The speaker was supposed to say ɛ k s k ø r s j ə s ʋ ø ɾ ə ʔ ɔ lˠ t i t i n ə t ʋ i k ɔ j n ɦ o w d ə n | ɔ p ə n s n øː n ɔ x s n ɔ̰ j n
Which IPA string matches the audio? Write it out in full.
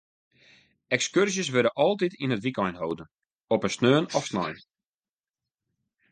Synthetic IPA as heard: ɛ k s k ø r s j ə s ʋ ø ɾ ə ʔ ɔ lˠ t i t i n ə t ʋ i k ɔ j n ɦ o w d ə n | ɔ p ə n s n øː n ɔ f s n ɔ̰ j n